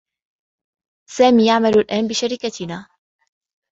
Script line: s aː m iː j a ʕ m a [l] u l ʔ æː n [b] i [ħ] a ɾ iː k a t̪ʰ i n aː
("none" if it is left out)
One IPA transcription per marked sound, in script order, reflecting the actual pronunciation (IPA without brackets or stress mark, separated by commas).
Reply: l, b, ʃ